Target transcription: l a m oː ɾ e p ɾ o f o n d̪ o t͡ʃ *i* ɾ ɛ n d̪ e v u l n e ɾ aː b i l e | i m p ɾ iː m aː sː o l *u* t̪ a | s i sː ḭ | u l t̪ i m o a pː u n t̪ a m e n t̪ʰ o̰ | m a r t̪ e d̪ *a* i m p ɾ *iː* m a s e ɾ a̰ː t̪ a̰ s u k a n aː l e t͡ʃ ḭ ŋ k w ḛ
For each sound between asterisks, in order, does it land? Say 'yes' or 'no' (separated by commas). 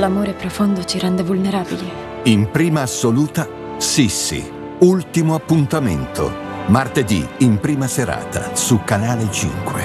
yes, no, no, yes